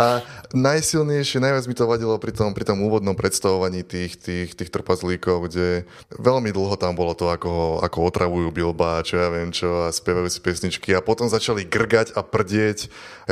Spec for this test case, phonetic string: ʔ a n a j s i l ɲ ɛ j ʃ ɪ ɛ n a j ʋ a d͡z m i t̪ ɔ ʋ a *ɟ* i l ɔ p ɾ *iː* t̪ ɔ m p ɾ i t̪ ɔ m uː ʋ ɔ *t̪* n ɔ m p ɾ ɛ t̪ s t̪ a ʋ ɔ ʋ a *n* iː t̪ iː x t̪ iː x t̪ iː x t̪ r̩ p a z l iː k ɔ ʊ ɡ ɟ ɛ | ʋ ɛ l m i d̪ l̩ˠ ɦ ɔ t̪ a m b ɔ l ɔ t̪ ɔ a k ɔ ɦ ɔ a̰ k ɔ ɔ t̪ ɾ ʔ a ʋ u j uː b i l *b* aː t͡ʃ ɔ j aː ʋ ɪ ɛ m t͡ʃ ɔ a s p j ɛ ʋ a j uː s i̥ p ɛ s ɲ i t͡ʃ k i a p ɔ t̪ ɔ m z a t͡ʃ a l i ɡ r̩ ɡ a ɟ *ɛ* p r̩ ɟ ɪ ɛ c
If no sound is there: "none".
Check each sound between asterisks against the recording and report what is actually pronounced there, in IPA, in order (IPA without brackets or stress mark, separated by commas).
ɟ, i, d̪, ɲ, b, a